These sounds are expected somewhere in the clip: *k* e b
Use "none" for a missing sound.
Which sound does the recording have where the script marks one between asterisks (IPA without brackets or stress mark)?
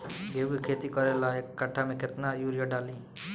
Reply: ɡ